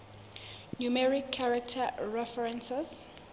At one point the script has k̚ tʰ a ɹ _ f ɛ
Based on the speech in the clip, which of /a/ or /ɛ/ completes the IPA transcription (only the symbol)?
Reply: ɛ